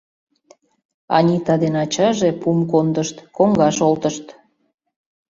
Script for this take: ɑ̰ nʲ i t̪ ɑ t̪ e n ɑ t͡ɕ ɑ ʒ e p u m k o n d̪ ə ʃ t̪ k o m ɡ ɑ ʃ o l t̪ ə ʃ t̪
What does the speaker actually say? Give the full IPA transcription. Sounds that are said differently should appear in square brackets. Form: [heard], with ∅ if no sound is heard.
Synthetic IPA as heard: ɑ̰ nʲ i t̪ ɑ [d̪] e n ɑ t͡ɕ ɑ ʒ e p u m k o n d̪ ə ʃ t̪ k o [ŋ] ɡ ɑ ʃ o l t̪ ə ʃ t̪

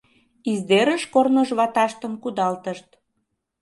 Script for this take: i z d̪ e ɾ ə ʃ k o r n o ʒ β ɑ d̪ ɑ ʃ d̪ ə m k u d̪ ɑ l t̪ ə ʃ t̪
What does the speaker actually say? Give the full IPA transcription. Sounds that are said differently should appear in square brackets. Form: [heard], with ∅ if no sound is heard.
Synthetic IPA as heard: i z d̪ e ɾ ə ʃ k o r n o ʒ β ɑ [t̪] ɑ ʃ [t̪] ə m k u d̪ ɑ l t̪ ə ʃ t̪

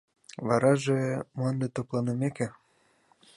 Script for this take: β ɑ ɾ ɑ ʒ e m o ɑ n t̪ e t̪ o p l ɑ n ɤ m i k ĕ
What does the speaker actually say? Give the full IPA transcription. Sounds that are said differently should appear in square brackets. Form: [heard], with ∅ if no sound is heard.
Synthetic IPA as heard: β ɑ ɾ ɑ ʒ e m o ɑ n [d̪] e t̪ o p l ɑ n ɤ m [e] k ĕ

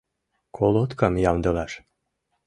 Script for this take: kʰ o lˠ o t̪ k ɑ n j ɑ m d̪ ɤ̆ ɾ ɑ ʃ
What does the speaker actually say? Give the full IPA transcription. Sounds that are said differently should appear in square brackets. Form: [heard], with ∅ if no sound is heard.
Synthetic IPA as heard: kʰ o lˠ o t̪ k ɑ [m] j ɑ m d̪ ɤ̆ [l] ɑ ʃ

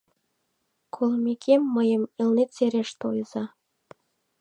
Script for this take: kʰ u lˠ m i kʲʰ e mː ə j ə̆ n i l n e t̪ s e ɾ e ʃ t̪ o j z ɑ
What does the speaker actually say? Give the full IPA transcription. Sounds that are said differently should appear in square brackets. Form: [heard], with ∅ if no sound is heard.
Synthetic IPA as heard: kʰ [o] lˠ m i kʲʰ e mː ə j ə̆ [m] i l n e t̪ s e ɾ e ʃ t̪ o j z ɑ

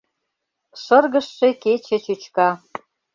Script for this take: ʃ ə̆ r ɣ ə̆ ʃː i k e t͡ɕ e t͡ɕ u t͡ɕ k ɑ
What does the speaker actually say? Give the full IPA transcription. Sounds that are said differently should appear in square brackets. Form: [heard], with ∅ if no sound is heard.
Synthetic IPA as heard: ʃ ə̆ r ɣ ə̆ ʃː [e] k e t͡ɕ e t͡ɕ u t͡ɕ k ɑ

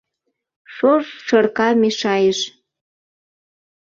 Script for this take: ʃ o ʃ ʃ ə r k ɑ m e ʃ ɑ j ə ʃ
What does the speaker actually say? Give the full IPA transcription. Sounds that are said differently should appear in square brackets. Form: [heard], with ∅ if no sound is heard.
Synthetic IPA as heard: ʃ o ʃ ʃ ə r k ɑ m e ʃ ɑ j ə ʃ

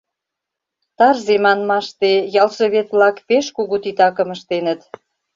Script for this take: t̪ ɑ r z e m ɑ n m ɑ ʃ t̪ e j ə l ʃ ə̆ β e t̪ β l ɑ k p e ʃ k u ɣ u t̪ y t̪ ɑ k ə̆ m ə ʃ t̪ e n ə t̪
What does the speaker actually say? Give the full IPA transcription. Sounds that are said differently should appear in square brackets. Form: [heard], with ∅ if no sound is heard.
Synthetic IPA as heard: t̪ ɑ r z e m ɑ n m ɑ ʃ t̪ e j [ɑ] l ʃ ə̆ β e t̪ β l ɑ k p e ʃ k u ɣ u t̪ [i] t̪ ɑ k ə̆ m ə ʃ t̪ e n ə t̪

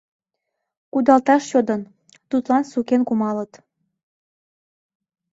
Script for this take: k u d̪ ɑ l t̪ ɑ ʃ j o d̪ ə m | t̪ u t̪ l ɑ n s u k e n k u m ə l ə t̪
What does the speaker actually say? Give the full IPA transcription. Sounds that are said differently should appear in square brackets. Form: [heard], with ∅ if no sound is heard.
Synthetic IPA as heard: k u d̪ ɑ l t̪ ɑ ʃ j o d̪ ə [n] | t̪ u t̪ l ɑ n s u k e n k u m [ɑ] l ə t̪

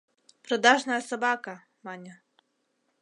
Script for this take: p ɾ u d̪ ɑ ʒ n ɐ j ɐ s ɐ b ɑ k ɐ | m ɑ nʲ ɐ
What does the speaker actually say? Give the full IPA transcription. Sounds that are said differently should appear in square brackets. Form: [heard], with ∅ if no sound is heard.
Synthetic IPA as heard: p ɾ [ɔ] d̪ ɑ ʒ n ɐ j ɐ s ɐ b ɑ k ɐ | m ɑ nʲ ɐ

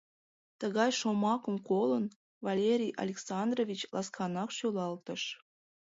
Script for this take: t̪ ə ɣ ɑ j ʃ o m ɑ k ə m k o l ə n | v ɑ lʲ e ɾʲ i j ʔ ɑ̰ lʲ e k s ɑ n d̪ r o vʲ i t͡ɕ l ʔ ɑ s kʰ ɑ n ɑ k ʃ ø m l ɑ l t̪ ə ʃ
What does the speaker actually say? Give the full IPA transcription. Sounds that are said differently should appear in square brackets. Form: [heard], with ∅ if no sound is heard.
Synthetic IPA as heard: t̪ ə ɣ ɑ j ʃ o m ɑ k ə m k o l ə n | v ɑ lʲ e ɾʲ i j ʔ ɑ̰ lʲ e k s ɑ n d̪ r o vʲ i t͡ɕ l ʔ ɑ s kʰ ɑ n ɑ k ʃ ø [∅] l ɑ l t̪ ə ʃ

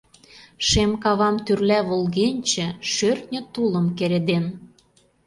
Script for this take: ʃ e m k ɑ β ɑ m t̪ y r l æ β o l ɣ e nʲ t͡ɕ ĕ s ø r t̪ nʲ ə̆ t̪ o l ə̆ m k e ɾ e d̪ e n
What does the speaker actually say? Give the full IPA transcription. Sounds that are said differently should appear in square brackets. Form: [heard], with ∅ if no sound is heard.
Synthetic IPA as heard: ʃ e m k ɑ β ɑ m t̪ y r l æ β o l ɣ e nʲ t͡ɕ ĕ [ʃ] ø r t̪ nʲ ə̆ t̪ [u] l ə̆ m k e ɾ e d̪ e n

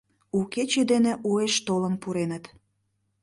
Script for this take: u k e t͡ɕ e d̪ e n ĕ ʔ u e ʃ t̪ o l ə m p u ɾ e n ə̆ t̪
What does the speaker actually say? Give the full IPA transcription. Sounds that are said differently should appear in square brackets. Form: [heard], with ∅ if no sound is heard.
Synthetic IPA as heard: u k e t͡ɕ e d̪ e n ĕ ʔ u e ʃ t̪ o l ə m p u ɾ e n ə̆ t̪

